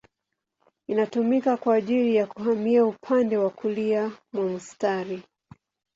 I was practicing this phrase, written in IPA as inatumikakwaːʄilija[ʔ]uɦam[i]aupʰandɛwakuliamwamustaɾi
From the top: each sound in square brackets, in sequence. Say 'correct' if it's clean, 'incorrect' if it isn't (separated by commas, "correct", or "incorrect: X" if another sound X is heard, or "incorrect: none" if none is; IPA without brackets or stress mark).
incorrect: k, correct